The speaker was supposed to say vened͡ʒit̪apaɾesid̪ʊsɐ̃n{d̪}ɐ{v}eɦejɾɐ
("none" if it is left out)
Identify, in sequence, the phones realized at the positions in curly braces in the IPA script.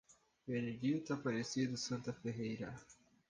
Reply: t̪, f

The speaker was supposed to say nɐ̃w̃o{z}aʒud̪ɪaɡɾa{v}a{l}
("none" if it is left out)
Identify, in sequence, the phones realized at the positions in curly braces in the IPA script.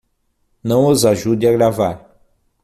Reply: z, v, ɾ

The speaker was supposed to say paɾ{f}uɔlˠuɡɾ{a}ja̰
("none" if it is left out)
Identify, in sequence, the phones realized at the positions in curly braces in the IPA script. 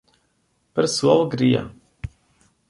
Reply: s, i

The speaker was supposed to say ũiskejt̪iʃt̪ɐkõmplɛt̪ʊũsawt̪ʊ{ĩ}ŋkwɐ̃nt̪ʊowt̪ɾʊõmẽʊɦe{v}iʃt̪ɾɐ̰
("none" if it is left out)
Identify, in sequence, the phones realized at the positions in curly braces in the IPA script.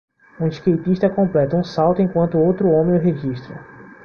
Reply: ẽ, ʒ

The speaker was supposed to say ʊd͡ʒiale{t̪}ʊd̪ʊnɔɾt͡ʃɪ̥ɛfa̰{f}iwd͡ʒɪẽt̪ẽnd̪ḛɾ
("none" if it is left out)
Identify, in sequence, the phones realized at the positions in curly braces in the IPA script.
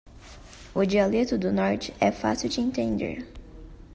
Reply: t̪, s

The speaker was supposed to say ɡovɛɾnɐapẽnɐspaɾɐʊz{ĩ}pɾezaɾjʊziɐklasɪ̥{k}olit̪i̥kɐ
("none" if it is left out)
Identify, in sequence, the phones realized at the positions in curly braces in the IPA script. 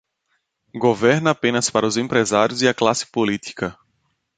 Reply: ẽ, p

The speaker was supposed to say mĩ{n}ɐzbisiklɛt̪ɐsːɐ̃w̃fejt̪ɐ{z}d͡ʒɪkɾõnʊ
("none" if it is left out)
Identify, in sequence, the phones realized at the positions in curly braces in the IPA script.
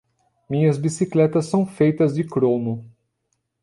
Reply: ɲ, z

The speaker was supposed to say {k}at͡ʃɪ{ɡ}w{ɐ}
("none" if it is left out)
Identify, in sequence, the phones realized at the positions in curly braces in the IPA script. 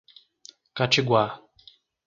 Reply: k, ɡ, a

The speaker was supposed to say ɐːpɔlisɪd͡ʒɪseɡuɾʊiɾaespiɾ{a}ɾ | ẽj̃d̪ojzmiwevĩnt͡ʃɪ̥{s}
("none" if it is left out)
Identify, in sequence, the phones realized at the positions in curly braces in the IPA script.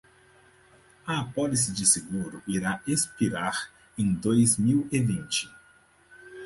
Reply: a, none

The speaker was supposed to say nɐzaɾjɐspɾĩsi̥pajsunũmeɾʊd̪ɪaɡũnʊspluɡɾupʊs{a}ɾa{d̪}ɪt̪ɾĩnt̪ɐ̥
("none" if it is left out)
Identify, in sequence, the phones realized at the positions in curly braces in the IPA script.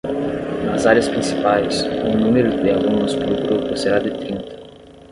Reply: e, d̪

